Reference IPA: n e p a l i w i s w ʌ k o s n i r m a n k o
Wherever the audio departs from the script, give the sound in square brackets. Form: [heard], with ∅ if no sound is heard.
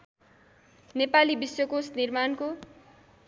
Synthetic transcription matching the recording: n e p a l i [b] i s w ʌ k o s n i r m a n k o